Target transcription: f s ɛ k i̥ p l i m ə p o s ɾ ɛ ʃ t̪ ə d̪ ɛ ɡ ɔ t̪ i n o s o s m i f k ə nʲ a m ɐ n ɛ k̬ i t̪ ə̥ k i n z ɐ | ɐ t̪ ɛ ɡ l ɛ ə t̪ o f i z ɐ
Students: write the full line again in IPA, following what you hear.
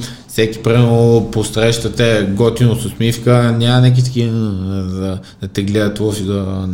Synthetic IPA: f s ɛ k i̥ p ɾ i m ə p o s ɾ ɛ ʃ t̪ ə t̪ ɛ ɡ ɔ t̪ i n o s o s m i f k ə nʲ a m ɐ n ɛ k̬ i t̪ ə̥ k i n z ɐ | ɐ t̪ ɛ ɡ l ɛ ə t̪ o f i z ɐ